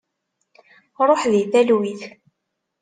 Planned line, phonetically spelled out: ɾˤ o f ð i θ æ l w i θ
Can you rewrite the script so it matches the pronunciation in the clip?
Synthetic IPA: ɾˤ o ħ ð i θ æ l w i θ